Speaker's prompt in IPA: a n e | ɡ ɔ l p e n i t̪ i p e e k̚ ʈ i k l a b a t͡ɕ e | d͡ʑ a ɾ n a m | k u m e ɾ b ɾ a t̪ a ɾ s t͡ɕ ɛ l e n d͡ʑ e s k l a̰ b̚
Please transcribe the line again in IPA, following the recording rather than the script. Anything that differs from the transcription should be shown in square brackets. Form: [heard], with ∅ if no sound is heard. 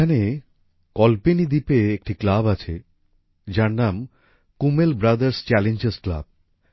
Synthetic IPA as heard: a n e | [k] ɔ l p e n i [d̪] i p e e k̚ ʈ i k l a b a [t͡ɕʰ] e | d͡ʑ a ɾ n a m | k u m e [l] b ɾ a [d̪] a ɾ s t͡ɕ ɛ l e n d͡ʑ e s k l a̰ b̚

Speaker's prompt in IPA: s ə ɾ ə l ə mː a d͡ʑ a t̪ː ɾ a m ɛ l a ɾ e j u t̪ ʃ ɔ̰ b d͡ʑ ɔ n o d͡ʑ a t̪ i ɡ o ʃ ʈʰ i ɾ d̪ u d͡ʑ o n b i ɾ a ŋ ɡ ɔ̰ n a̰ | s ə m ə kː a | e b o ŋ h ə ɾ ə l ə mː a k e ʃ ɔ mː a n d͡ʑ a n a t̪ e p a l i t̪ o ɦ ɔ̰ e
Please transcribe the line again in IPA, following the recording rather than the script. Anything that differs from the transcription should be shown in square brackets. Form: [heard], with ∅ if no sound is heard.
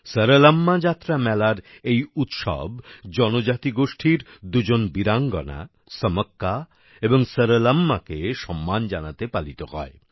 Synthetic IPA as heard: s ə ɾ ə l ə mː a d͡ʑ a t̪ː ɾ a m ɛ l a ɾ e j u t̪ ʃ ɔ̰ b d͡ʑ ɔ n o d͡ʑ a t̪ i ɡ o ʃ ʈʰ i ɾ d̪ u d͡ʑ o n b i ɾ a ŋ ɡ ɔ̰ n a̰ | s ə m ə kː a | e b o ŋ [s] ə ɾ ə l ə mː a k e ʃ ɔ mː a n d͡ʑ a n a t̪ e p a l i t̪ o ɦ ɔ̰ e

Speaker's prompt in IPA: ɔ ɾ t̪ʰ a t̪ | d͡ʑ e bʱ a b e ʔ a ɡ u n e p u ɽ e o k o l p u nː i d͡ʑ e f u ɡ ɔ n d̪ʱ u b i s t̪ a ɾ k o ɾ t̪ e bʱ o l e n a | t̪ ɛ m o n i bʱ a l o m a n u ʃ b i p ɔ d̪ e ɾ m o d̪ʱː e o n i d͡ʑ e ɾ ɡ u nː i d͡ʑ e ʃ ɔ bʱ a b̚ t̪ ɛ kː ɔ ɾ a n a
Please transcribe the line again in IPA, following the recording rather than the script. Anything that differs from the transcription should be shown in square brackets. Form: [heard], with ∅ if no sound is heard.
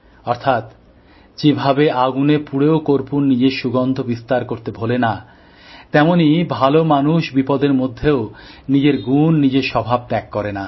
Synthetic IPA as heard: ɔ ɾ t̪ʰ a t̪ | d͡ʑ e bʱ a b e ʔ a ɡ u n e p u ɽ e o k o [ɾ] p u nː i d͡ʑ e [ʃ] u ɡ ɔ n d̪ʱ [o] b i s t̪ a ɾ k o ɾ t̪ e bʱ o l e n a | t̪ ɛ m o n i bʱ a l o m a n u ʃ b i p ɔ d̪ e ɾ m o d̪ʱː e o n i d͡ʑ e ɾ ɡ u nː i d͡ʑ e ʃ ɔ bʱ a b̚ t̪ ɛ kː ɔ ɾ [e] n a

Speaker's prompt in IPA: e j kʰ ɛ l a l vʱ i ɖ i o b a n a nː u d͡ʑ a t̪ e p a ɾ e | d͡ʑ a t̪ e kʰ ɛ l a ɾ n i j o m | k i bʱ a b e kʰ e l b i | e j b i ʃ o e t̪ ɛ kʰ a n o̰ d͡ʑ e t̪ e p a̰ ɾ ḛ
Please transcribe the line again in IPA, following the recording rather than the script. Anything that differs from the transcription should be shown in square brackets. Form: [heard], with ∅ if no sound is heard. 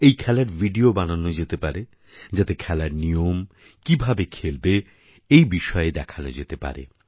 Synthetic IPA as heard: e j kʰ ɛ l a [ɾ] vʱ i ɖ i o b a n a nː [o] d͡ʑ [e] t̪ e p a ɾ e | d͡ʑ a t̪ e kʰ ɛ l a ɾ n i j o m | k i bʱ a b e kʰ e l b [e] | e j b i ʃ [ɔ] e [d̪] ɛ kʰ a n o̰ d͡ʑ e t̪ e p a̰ ɾ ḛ

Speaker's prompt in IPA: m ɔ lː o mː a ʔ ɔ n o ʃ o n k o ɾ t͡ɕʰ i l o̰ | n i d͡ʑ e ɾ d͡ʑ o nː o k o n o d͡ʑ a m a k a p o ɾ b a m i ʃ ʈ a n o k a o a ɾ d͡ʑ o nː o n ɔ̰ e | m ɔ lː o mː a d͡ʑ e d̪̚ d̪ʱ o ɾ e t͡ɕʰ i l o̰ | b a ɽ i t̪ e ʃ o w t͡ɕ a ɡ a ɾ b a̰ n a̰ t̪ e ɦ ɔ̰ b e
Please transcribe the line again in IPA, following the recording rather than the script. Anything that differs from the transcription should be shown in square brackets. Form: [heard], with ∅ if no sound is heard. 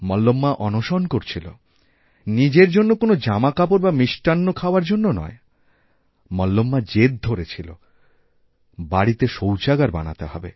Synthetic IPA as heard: m ɔ lː o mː a ʔ ɔ n o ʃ o n k o ɾ t͡ɕʰ i l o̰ | n i d͡ʑ e ɾ d͡ʑ o nː o k o n o d͡ʑ a m a k a p o ɾ b a m i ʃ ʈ a [nː] o [kʰ] a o a ɾ d͡ʑ o nː o n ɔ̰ e | m ɔ lː o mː a d͡ʑ e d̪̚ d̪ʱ o ɾ e t͡ɕʰ i l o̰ | b a ɽ i t̪ e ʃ o w t͡ɕ a ɡ a ɾ b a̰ n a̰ t̪ e ɦ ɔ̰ b e

